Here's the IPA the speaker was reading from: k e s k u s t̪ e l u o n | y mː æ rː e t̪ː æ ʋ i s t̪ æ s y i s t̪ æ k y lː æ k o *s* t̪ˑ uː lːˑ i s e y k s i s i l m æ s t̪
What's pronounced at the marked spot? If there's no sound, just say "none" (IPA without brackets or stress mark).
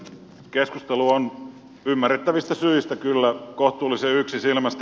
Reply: h